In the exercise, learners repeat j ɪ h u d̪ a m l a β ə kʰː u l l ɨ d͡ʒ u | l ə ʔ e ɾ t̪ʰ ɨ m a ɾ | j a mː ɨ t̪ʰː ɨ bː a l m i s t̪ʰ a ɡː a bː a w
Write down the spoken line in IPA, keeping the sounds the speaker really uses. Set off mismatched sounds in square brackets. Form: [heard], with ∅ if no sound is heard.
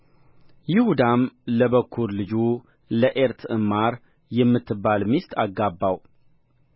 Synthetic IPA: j ɪ h u d̪ a m l [ə] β ə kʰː u [ɾ] l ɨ d͡ʒ u | l ə ʔ e ɾ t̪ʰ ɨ m a ɾ | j [ɛ] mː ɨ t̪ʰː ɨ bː a l m i s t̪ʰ a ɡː a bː a w